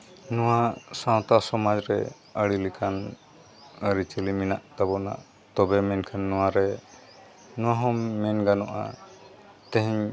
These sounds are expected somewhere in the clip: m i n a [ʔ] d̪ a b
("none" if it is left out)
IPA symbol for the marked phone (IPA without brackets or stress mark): ʔ